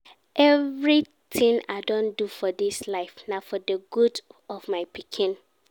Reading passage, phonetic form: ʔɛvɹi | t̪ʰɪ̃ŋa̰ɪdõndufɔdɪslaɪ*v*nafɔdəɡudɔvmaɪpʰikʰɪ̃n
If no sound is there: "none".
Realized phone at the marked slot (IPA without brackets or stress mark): f